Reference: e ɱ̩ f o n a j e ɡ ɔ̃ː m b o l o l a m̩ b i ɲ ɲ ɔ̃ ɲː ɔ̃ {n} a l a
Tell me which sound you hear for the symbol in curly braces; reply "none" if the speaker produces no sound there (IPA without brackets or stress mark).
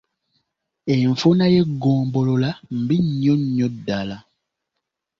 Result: d